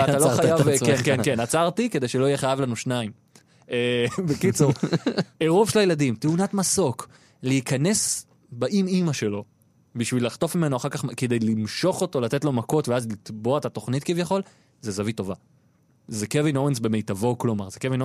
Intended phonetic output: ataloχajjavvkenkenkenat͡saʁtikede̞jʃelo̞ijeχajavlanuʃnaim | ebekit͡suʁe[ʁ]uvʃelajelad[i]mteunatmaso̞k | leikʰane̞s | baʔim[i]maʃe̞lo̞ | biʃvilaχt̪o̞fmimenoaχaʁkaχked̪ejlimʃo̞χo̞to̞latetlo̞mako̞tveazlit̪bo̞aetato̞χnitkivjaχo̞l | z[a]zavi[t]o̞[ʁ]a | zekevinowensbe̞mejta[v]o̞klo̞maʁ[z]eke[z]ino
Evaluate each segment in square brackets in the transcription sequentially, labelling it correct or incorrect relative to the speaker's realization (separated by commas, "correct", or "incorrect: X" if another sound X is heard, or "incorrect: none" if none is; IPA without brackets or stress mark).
correct, correct, correct, incorrect: e, correct, incorrect: v, correct, correct, incorrect: v